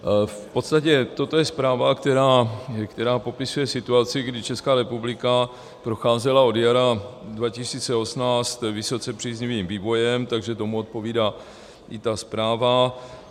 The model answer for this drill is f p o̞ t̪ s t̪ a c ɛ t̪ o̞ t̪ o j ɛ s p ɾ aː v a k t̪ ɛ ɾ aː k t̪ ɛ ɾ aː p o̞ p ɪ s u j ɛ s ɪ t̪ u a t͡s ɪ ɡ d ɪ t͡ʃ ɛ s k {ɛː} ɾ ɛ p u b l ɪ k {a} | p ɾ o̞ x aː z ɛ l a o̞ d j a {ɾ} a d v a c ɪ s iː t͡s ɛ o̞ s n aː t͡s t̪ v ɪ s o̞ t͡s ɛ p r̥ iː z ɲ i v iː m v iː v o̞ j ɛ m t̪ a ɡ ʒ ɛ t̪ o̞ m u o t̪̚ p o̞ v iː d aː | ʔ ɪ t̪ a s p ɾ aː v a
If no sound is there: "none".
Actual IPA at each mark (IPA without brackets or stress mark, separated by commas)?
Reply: aː, a, ɾ